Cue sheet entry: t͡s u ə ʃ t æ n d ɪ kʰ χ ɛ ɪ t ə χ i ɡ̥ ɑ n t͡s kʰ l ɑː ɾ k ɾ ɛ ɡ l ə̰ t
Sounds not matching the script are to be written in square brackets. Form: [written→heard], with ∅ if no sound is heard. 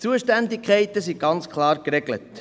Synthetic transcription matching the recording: t͡s u ə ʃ t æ n d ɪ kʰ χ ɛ ɪ t ə [χ→s] i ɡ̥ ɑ n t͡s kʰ l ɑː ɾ k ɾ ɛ ɡ l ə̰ t